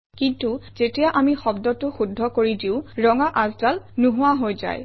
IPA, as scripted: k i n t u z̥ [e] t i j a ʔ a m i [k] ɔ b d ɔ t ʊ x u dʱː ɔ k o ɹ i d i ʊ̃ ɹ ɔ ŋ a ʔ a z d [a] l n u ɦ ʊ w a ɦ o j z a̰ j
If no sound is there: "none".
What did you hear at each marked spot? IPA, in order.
e, x, a

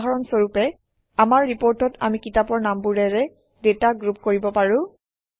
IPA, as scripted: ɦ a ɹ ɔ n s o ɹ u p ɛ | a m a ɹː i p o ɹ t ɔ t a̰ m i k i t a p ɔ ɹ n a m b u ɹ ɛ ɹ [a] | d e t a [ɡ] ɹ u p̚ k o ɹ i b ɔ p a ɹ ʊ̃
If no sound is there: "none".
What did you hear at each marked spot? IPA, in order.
ɛ, ɡ

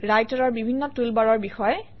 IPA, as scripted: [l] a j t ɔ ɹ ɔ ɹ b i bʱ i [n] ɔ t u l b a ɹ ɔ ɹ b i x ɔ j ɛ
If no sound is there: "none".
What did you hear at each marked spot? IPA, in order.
ɹ, nː

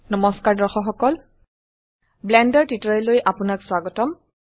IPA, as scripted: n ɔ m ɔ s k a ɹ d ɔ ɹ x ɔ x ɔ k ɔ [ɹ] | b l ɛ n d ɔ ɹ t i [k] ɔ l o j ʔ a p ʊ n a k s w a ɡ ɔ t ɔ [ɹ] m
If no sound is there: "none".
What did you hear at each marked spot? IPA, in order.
l, t, none

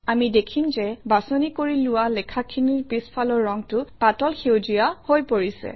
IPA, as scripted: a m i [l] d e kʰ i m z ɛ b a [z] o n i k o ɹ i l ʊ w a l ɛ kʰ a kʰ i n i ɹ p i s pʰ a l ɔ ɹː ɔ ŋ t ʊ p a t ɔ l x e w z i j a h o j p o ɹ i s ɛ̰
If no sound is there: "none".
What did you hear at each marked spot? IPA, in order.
none, s

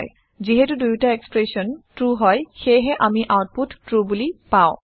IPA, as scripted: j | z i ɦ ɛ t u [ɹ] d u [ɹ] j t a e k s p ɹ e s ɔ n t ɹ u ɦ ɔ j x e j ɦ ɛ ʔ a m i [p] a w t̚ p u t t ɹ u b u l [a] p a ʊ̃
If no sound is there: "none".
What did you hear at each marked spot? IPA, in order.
none, none, ʔ, i

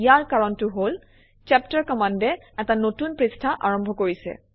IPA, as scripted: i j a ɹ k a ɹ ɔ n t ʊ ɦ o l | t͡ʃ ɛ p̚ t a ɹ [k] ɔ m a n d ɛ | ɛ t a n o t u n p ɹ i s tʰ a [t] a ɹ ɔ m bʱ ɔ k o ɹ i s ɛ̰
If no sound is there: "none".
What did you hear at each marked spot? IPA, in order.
k, ʔ

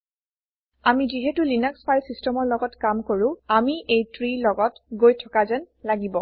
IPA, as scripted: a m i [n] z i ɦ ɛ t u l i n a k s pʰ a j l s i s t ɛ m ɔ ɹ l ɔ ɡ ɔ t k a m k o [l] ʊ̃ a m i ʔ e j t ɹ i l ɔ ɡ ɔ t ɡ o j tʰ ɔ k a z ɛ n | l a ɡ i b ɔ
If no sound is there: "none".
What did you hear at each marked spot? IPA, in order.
none, ɹ

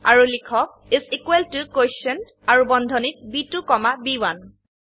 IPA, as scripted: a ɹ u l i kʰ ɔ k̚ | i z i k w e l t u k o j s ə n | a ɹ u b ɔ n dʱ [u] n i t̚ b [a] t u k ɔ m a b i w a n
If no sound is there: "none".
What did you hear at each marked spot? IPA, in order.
ɔ, i

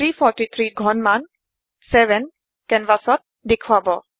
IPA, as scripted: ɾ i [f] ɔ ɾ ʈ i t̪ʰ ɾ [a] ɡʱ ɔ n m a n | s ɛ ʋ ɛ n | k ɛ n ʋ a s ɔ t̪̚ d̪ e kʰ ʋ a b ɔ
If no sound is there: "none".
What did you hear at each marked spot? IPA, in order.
f, i

